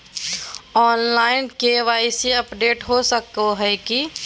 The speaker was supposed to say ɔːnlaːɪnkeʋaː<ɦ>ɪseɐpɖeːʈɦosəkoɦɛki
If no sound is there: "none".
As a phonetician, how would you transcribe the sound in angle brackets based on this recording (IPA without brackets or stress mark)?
none